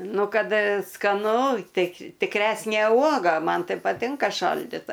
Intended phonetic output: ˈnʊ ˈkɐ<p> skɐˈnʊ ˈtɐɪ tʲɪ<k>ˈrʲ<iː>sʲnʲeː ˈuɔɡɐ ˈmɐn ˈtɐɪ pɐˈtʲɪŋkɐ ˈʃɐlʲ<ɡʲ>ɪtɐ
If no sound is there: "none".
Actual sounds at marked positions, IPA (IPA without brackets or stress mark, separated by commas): t, k, æː, dʲ